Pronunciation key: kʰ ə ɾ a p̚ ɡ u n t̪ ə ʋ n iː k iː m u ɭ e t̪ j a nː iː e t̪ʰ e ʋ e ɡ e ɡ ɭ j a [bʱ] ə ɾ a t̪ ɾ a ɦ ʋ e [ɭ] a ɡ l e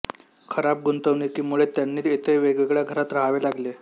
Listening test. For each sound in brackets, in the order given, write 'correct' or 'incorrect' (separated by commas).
incorrect, incorrect